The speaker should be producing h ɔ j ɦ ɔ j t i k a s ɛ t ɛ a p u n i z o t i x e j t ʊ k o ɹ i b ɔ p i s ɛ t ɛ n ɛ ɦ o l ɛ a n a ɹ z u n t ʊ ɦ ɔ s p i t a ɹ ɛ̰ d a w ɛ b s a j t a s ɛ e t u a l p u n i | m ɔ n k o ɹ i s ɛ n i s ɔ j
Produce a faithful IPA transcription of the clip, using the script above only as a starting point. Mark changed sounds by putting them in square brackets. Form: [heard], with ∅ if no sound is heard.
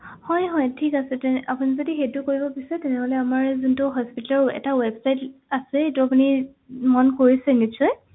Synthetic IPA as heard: h ɔ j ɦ ɔ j [tʰ] i k a s ɛ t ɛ a p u n i z o [d] i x e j t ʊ k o ɹ i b ɔ p i s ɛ t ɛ n ɛ ɦ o l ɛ a [m] a ɹ z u n t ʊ ɦ ɔ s p i t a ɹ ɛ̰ [t] a w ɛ b s a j t a s ɛ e t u a [∅] p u n i | m ɔ n k o ɹ i s ɛ n i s ɔ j